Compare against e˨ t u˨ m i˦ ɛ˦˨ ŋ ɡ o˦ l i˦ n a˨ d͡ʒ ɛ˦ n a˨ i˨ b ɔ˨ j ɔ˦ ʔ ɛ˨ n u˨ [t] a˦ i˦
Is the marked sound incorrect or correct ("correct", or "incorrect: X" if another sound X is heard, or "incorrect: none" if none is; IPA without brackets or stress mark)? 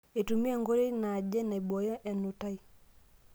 correct